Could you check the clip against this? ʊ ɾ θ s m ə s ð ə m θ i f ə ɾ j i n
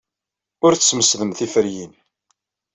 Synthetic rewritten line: ʊ ɾ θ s m ə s ð ə m θ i f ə ɾ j i n